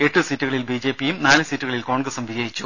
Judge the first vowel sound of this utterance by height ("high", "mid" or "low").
mid